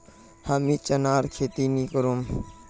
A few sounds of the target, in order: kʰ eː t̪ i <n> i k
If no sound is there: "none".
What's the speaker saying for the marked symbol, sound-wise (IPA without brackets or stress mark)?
n